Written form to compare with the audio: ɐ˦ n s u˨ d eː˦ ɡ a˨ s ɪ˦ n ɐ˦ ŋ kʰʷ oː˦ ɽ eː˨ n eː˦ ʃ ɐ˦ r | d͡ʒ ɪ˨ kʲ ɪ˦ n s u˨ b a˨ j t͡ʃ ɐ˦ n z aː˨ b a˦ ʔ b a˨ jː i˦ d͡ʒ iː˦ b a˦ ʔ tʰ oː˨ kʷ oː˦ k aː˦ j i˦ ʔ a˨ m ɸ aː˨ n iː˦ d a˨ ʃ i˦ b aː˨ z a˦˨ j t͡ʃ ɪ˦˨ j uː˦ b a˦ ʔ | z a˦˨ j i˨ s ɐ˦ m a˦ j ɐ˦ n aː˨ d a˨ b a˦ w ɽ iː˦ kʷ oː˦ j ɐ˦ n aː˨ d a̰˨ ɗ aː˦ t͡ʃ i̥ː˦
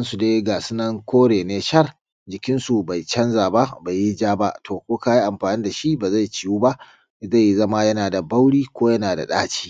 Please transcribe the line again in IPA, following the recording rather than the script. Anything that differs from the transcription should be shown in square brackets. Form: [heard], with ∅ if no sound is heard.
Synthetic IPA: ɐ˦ n s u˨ d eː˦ ɡ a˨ s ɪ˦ n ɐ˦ ŋ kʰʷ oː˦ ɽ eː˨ n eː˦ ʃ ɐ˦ r | d͡ʒ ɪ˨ kʲ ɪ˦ n s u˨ b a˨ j t͡ʃ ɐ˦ n z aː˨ b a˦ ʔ b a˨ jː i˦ d͡ʒ [aː˦] b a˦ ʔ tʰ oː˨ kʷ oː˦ k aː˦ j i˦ ʔ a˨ m ɸ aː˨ n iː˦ d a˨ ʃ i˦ b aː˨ z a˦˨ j t͡ʃ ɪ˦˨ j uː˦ b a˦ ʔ | z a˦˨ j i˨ [z] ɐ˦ m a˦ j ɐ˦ n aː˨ d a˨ b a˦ w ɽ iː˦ kʷ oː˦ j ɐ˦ n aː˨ d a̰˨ ɗ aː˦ t͡ʃ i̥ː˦